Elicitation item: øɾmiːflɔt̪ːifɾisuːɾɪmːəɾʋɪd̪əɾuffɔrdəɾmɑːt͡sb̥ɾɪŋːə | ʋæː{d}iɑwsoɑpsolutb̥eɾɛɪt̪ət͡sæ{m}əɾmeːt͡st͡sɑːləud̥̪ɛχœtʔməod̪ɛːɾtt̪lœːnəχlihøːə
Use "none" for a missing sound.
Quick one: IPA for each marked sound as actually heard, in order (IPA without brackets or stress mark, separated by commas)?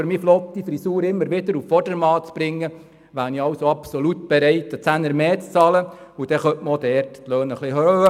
n, n